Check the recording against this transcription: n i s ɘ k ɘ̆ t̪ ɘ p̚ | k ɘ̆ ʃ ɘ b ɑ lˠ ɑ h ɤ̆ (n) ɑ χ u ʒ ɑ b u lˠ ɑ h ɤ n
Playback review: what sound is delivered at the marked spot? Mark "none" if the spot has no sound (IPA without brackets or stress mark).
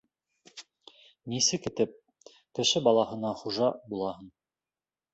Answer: n